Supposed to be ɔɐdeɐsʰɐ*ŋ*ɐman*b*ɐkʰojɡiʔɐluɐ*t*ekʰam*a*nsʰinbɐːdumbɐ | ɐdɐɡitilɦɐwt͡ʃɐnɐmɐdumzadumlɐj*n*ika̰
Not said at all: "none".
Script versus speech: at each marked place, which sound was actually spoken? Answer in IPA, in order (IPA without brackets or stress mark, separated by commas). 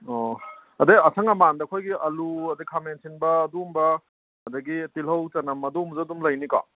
ŋ, d, d, e, n